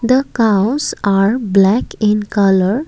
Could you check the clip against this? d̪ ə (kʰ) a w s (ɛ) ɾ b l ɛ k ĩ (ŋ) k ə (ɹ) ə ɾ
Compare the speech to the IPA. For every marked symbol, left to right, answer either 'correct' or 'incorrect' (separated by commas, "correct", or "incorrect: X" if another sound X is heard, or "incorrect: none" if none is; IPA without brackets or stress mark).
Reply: incorrect: k, incorrect: a, incorrect: n, incorrect: l